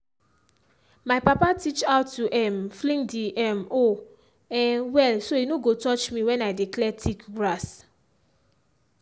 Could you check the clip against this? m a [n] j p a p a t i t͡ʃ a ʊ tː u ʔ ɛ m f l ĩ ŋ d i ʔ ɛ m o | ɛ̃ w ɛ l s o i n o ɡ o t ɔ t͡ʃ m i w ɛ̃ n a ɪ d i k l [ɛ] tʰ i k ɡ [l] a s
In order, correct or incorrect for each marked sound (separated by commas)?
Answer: incorrect, correct, incorrect